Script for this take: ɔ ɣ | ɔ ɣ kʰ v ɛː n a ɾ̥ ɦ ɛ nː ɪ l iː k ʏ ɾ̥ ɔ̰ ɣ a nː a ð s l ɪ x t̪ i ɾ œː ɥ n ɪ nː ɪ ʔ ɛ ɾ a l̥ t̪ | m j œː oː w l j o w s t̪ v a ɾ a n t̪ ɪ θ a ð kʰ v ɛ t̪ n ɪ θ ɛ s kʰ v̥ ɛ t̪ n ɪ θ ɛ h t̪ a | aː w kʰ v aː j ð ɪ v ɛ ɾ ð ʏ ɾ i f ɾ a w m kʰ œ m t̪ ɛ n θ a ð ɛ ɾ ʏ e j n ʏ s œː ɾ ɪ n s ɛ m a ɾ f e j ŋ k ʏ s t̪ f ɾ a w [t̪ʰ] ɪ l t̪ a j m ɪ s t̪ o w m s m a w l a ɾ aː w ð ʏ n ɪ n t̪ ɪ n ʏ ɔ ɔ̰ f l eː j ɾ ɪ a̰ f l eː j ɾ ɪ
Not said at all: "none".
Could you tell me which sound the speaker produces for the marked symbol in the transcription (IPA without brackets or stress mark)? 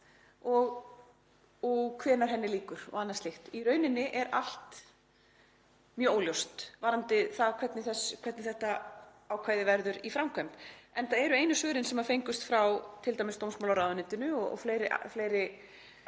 t̪ʰ